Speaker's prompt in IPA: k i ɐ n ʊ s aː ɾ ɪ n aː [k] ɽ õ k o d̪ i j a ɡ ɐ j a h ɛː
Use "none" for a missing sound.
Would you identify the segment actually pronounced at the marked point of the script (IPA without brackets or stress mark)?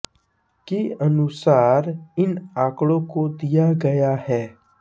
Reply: k